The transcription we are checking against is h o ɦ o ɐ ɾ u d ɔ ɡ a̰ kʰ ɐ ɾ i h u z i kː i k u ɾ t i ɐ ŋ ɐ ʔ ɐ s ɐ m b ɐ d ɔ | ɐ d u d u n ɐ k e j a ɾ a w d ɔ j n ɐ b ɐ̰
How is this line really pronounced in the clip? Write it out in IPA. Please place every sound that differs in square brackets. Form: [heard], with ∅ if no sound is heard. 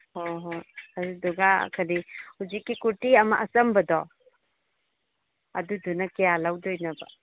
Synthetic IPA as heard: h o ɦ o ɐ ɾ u d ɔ ɡ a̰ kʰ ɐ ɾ i h u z i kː i k u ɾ t i ɐ [m] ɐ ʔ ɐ s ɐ m b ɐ d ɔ | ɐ d u d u n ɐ k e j a [l] a w d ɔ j n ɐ b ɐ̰